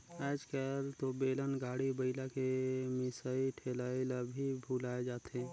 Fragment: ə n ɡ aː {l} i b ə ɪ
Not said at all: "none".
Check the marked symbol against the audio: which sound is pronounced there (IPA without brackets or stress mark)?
ɽ